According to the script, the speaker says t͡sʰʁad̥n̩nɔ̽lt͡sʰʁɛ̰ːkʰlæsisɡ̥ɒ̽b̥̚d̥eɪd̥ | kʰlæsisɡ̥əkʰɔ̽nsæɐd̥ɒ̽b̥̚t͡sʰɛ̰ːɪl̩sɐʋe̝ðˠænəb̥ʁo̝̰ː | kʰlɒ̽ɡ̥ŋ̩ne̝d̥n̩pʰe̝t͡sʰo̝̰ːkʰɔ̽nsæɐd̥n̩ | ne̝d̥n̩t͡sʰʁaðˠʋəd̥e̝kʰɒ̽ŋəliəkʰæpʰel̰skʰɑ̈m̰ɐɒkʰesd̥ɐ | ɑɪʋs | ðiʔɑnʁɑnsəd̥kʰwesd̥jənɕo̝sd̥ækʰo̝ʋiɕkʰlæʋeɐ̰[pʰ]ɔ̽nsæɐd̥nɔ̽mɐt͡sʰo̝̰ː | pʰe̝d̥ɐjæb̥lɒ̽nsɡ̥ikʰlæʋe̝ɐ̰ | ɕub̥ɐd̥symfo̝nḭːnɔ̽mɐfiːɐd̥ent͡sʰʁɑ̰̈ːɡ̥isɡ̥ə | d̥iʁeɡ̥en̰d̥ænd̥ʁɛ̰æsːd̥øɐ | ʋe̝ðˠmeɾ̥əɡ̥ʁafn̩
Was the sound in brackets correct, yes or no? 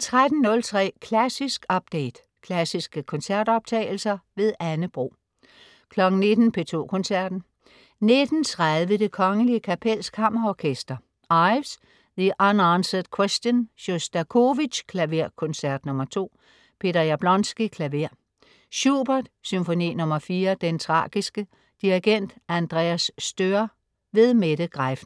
no